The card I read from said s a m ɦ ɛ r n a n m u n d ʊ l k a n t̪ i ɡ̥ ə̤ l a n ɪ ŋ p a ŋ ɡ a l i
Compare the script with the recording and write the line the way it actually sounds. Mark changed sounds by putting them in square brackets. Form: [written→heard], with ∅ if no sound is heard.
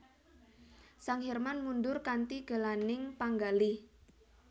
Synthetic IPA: s a [m→ŋ] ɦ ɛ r [n→m] a n m u n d ʊ [l→r] k a n t̪ i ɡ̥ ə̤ l a n ɪ ŋ p a ŋ ɡ a l i